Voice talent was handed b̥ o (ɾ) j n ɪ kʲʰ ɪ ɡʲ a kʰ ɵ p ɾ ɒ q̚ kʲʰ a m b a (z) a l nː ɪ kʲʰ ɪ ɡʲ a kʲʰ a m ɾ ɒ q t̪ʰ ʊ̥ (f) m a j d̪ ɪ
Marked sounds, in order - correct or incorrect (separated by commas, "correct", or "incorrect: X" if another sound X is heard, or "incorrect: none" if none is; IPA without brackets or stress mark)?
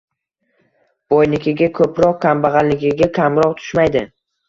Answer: incorrect: none, incorrect: ʁ, incorrect: ʃ